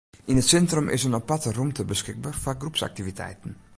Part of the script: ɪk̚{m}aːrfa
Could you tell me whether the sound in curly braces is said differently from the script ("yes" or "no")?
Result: yes